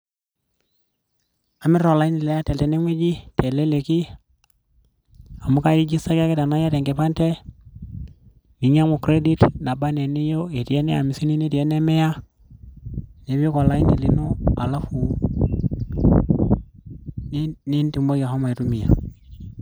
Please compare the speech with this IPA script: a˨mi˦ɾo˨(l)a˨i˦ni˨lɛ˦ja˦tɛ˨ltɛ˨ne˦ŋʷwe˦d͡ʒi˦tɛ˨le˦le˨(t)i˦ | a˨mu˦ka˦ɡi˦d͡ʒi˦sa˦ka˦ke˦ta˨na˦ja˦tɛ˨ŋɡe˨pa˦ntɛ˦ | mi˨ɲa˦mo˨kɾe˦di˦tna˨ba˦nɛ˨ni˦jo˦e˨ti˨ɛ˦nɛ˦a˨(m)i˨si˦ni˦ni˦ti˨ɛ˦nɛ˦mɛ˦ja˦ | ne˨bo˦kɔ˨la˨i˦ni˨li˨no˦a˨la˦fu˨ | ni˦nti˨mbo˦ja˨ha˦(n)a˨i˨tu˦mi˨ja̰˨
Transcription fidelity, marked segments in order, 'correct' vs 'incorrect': correct, incorrect, correct, incorrect

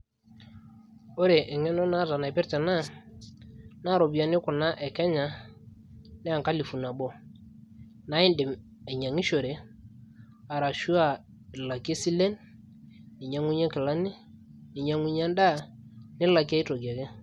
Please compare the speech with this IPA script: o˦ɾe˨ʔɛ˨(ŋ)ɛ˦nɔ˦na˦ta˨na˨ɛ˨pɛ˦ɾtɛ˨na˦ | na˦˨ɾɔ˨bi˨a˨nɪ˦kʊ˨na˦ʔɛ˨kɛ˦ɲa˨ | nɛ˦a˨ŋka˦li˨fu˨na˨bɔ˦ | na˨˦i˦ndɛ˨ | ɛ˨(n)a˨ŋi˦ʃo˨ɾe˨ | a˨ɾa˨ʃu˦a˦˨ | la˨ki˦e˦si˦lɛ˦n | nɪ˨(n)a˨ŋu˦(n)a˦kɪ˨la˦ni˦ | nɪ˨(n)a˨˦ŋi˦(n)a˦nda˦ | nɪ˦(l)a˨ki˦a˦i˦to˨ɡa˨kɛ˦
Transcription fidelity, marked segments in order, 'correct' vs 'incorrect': correct, incorrect, incorrect, incorrect, incorrect, incorrect, correct

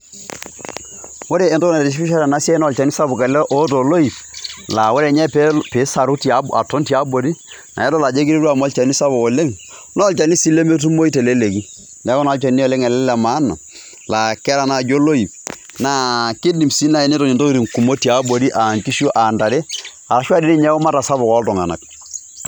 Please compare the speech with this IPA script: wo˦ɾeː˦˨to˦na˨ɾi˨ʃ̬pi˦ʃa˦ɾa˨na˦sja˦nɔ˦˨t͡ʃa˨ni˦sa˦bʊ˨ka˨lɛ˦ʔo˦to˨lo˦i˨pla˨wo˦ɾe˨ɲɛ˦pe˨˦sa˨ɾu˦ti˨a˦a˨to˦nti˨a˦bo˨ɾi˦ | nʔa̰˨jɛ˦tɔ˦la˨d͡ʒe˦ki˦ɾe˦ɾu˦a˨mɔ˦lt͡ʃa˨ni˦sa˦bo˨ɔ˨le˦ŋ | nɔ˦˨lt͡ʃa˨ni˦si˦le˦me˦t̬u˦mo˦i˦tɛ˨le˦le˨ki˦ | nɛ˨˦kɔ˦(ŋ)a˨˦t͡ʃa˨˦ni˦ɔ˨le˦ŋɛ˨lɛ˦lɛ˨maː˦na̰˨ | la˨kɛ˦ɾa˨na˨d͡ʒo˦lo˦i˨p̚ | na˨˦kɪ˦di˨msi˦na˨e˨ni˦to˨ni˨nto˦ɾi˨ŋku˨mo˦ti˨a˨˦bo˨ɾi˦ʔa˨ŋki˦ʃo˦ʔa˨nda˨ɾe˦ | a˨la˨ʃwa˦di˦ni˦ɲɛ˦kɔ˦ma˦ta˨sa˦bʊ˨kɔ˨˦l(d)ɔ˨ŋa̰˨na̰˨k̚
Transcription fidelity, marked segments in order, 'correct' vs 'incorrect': incorrect, incorrect

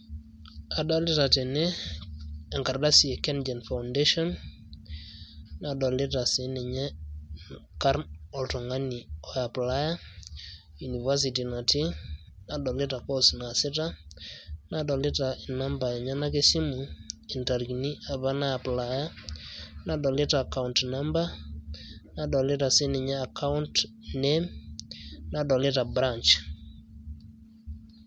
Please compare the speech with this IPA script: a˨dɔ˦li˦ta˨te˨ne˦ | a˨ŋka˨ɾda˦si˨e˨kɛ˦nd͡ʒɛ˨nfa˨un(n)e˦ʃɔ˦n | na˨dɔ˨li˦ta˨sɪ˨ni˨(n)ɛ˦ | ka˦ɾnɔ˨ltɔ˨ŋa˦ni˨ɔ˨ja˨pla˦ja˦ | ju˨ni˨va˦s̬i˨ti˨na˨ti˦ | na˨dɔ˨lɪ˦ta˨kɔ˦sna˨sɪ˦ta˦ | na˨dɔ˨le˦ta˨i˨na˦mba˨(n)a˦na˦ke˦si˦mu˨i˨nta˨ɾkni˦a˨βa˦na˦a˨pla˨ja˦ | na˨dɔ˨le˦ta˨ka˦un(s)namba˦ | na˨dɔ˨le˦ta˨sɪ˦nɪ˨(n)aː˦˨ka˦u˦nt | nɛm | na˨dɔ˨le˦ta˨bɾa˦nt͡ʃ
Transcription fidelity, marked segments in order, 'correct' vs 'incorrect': incorrect, incorrect, incorrect, incorrect, incorrect

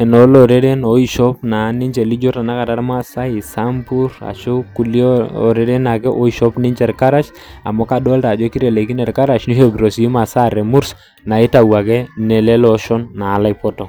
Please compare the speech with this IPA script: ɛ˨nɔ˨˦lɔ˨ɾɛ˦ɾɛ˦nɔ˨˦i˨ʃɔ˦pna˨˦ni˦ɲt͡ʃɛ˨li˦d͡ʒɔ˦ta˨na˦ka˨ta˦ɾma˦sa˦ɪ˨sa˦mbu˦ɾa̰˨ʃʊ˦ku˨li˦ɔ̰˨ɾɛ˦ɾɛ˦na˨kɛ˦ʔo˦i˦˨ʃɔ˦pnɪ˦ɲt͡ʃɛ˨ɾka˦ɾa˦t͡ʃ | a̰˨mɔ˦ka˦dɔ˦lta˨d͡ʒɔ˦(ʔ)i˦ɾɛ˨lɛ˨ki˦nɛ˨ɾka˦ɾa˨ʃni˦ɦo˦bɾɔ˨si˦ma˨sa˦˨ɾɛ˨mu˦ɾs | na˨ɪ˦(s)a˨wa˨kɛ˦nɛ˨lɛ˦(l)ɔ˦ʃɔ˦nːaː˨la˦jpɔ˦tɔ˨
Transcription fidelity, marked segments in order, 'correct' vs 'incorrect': incorrect, incorrect, correct

